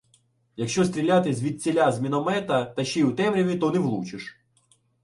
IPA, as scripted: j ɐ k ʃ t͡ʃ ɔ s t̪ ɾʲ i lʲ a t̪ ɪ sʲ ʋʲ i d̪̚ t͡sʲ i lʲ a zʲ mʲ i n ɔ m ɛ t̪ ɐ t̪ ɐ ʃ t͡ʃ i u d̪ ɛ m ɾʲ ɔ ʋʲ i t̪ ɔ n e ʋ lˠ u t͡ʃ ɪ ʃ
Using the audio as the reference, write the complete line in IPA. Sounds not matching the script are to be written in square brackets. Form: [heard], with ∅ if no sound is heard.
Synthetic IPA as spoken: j ɐ k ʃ t͡ʃ ɔ s t̪ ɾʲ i lʲ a t̪ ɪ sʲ ʋʲ i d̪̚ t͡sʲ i lʲ a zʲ mʲ i n ɔ m ɛ t̪ ɐ t̪ ɐ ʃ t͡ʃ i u [t̪] ɛ m ɾʲ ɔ ʋʲ i t̪ ɔ n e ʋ lˠ u t͡ʃ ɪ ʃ

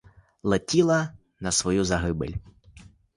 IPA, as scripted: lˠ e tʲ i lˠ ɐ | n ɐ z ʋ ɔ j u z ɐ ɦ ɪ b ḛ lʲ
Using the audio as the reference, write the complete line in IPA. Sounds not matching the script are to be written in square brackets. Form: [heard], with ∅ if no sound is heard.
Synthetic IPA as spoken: lˠ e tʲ i lˠ ɐ | n ɐ [s] ʋ ɔ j u z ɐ ɦ ɪ b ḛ lʲ

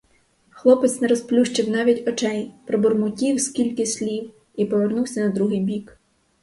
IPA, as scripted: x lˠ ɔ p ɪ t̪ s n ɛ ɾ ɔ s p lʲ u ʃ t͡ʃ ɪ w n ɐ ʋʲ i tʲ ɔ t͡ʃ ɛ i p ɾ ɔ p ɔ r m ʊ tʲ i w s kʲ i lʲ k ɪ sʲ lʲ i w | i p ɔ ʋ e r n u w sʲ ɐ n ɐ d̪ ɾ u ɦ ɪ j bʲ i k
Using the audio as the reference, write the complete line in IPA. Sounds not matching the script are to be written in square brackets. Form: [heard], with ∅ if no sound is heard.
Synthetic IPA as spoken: x lˠ ɔ p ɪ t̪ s n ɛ ɾ ɔ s p lʲ u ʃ t͡ʃ ɪ w n [ɑ] ʋʲ i tʲ ɔ t͡ʃ ɛ [j] p ɾ ɔ [b] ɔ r m ʊ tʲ i w s kʲ i lʲ k ɪ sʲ lʲ i w | i p ɔ ʋ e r n u w sʲ ɐ n ɐ d̪ ɾ u ɦ ɪ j bʲ i k

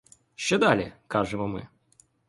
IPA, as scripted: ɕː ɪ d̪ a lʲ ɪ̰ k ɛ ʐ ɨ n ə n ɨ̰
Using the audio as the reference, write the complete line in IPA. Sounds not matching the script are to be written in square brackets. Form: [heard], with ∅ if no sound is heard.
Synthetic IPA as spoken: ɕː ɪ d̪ a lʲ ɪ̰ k [a] ʐ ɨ [m] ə [m] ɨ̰

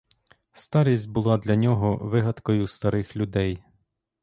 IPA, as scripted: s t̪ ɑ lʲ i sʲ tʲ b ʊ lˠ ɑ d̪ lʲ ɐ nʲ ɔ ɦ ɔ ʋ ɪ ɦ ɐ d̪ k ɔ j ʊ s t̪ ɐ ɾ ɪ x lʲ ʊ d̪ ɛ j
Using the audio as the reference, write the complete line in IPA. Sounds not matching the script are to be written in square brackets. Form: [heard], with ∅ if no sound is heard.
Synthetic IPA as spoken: s t̪ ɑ [ɾʲ] i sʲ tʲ b ʊ lˠ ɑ d̪ lʲ ɐ nʲ ɔ ɦ ɔ ʋ ɪ ɦ ɐ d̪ k ɔ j ʊ s t̪ ɐ ɾ ɪ x lʲ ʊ d̪ ɛ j

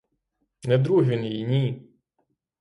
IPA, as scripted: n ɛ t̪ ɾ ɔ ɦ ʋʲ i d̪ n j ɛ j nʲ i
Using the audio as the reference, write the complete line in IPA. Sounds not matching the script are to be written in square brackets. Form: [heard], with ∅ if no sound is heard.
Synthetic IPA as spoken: n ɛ [d̪] ɾ [u] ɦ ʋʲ i [∅] n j [i] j nʲ i

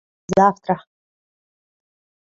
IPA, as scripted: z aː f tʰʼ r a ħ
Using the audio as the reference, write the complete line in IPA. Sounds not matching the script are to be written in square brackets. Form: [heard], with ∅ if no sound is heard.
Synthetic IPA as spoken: z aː f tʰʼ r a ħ

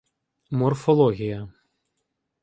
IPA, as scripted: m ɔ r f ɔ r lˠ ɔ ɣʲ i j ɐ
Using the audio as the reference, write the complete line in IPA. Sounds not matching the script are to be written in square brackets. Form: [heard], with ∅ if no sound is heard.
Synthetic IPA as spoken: m ɔ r f ɔ [∅] lˠ ɔ ɣʲ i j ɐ

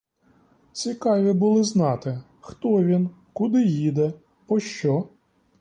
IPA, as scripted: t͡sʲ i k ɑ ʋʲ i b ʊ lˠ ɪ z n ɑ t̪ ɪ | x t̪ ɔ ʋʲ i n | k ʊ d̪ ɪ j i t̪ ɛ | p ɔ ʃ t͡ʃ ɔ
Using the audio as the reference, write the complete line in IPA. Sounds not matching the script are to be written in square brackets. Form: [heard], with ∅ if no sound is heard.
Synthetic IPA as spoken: t͡sʲ i k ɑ ʋʲ i b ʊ lˠ ɪ z n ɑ t̪ ɪ | x t̪ ɔ ʋʲ i n | k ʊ d̪ ɪ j i [d̪] ɛ | p ɔ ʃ t͡ʃ ɔ

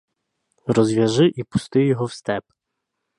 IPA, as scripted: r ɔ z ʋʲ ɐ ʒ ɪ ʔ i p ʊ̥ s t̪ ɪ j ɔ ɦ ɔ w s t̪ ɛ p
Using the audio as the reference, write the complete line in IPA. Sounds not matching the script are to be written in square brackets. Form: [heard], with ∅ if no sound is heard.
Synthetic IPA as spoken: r ɔ z ʋʲ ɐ ʒ ɪ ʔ i p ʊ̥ s t̪ ɪ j ɔ ɦ ɔ w s t̪ ɛ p

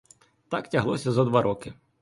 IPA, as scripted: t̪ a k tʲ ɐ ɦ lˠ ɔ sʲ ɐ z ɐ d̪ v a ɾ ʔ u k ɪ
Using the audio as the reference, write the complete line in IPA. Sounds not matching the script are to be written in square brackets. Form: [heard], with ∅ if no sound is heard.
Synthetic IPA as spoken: t̪ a k tʲ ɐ ɦ lˠ ɔ sʲ ɐ z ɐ d̪ [ʋ] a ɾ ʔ [ɔ] k ɪ

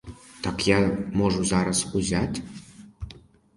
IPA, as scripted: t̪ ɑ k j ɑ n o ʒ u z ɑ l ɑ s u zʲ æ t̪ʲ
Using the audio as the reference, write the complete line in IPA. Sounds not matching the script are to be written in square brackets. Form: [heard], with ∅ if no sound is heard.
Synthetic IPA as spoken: t̪ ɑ k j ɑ [m] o ʒ u z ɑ [ɾ] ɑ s u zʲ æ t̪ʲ

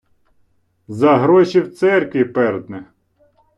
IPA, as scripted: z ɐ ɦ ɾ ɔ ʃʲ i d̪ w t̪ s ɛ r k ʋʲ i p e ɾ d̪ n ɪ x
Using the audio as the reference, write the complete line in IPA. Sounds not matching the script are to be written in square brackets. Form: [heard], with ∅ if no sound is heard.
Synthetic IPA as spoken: z ɐ ɦ ɾ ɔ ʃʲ i [∅] w t̪ s ɛ r k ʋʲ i p [ɛ] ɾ d̪ n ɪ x

